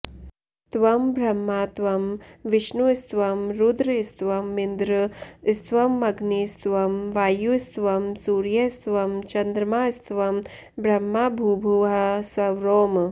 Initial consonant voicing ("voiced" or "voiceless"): voiceless